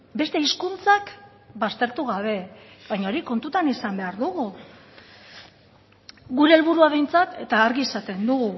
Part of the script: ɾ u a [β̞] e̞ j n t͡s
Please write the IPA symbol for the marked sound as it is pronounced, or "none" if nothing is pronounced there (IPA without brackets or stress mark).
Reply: β̞